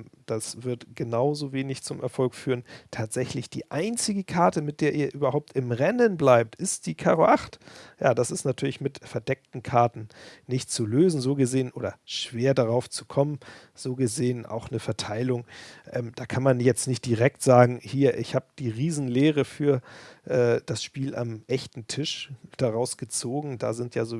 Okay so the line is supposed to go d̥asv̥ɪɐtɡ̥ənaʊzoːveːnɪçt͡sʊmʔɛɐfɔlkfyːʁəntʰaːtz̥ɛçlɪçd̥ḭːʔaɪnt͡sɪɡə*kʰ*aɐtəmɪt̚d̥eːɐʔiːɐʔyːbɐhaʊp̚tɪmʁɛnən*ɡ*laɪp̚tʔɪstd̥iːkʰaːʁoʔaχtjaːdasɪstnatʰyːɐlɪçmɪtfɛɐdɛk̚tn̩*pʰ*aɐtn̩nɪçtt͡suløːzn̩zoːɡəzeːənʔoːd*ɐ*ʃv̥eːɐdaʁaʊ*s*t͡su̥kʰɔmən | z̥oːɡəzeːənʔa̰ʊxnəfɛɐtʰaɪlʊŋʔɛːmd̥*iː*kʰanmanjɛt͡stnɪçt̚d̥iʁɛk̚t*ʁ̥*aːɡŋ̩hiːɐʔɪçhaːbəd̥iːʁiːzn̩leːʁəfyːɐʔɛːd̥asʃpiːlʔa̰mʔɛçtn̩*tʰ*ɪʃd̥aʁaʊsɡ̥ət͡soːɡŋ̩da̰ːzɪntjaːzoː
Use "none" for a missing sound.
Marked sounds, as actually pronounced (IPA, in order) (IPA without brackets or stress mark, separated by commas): kʰ, b, kʰ, ɐ, f, aː, z̥, tʰ